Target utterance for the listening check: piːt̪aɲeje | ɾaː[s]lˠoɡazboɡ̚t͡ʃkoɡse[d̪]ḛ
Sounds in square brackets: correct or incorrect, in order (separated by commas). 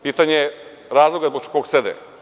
incorrect, correct